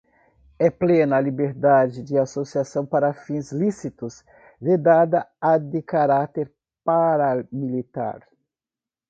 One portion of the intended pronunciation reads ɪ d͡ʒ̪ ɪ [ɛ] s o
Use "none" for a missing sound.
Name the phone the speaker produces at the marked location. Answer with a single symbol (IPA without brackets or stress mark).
a